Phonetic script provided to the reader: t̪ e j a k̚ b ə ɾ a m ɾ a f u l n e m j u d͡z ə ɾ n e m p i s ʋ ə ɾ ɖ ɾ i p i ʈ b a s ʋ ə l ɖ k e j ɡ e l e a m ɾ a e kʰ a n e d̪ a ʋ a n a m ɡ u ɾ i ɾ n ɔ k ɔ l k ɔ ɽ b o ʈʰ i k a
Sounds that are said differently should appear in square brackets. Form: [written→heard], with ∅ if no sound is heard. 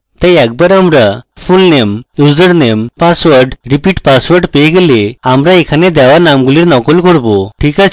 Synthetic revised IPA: t̪ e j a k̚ b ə ɾ a m ɾ a f u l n e m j u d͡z ə ɾ n e m p [i→a] s ʋ ə ɾ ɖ ɾ i p i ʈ [b→p] a s ʋ ə [l→ɾ] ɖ [k→p] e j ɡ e l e a m ɾ a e kʰ a n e d̪ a ʋ a n a m ɡ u [ɾ→l] i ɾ n ɔ k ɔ l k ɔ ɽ b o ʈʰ i k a

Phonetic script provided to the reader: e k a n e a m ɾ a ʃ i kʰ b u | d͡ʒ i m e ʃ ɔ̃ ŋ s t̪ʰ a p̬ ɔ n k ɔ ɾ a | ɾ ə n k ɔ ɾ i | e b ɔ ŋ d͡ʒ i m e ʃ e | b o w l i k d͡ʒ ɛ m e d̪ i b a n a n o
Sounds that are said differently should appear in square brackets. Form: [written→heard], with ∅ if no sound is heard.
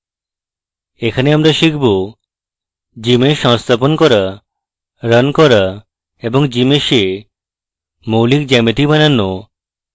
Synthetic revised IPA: e [k→kʰ] a n e a m ɾ a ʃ i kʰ b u | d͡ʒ i m e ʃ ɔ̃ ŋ s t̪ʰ a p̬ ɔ n k ɔ ɾ a | ɾ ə n k ɔ ɾ [i→a] | e b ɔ ŋ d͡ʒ i m e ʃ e | [b→m] o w l i k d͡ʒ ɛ m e [d̪→t̪] i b a n a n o

